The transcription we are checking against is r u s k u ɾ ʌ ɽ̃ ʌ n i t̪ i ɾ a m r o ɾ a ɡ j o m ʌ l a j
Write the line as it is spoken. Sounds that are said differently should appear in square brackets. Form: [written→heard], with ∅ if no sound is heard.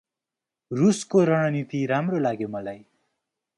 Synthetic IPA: r u s k [u→o] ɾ ʌ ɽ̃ ʌ n i t̪ i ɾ a m r o [ɾ→l] a ɡ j o m ʌ l a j